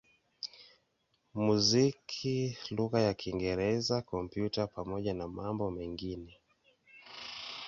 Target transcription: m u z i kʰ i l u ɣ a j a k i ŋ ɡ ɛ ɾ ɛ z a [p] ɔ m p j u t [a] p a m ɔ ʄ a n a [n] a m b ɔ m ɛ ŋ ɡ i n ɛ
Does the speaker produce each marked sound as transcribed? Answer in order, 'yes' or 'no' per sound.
no, yes, no

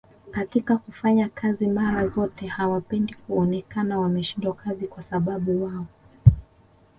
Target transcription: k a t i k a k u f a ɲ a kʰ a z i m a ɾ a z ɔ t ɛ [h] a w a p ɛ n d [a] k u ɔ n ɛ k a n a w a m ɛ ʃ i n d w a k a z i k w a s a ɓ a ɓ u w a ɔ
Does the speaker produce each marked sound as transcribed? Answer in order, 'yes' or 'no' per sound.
yes, no

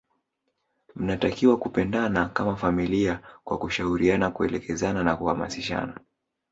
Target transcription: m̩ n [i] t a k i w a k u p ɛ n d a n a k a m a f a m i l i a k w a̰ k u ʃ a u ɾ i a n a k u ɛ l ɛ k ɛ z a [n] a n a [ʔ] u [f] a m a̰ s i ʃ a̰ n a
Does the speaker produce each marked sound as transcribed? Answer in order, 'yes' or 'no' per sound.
no, yes, no, no

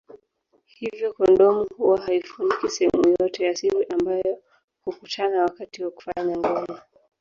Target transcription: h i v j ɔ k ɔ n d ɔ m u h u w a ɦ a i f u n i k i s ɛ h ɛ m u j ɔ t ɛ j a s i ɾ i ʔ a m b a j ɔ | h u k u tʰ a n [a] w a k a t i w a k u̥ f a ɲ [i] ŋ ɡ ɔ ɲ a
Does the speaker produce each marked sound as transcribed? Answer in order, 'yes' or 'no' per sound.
yes, no

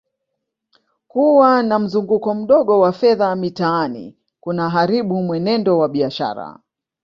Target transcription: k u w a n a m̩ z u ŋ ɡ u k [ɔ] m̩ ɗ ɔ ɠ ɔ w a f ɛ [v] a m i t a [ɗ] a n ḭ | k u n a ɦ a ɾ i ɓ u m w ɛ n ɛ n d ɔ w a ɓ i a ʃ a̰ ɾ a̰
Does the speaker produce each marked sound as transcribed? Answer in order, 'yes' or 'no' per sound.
yes, no, no

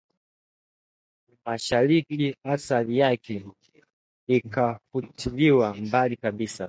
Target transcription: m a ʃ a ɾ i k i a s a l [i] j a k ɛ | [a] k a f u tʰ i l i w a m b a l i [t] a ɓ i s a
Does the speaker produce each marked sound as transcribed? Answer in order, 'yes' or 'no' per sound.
yes, no, no

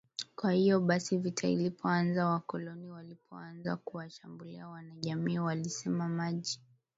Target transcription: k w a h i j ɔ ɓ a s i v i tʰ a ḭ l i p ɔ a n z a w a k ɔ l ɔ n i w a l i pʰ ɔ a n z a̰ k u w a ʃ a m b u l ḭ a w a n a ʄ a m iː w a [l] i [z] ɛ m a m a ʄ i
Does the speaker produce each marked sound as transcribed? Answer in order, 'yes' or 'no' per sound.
yes, no

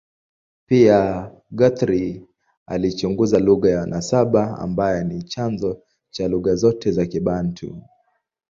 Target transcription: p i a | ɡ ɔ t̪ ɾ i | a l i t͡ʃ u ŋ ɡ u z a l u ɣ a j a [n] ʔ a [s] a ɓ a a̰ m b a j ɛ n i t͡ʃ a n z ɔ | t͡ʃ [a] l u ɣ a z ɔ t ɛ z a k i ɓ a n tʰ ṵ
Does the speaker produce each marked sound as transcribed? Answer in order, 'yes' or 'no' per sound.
yes, yes, yes

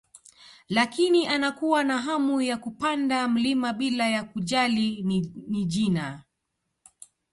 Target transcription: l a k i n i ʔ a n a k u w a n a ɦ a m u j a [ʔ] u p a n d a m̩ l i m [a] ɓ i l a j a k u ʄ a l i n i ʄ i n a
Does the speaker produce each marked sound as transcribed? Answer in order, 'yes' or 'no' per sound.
no, yes

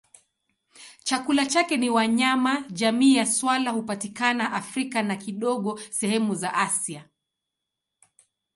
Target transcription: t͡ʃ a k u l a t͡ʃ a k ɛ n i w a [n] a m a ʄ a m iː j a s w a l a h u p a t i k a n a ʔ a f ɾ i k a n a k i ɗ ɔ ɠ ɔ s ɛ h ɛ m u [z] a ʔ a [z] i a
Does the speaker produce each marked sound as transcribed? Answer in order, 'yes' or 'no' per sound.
no, yes, no

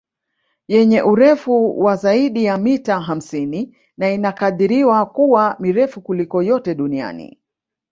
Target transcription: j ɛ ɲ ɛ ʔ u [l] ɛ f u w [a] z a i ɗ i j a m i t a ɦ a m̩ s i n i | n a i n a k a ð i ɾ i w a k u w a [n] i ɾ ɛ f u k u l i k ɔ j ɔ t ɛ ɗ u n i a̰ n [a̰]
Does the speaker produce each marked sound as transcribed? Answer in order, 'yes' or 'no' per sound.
no, yes, no, no

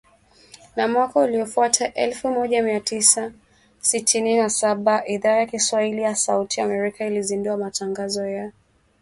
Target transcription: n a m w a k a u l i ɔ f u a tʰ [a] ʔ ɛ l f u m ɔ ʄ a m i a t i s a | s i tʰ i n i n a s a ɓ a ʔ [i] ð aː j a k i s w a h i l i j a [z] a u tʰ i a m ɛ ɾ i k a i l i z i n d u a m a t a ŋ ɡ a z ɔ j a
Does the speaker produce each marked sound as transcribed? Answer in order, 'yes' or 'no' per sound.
yes, yes, no

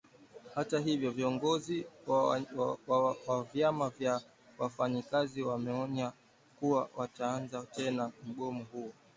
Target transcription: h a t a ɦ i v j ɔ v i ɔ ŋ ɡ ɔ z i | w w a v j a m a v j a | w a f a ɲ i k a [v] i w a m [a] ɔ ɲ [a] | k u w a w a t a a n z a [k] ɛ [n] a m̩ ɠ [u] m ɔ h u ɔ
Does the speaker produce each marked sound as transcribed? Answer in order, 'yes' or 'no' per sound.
no, no, yes, no, yes, no

